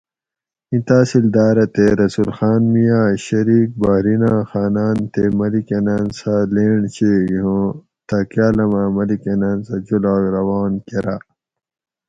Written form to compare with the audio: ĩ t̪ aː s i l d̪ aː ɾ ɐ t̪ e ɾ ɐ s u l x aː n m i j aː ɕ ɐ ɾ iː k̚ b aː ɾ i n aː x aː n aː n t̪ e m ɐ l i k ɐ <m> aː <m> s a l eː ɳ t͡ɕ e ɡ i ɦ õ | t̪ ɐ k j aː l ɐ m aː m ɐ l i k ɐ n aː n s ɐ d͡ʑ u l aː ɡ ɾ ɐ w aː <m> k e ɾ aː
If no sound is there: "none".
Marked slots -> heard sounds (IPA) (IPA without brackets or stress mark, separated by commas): n, n, n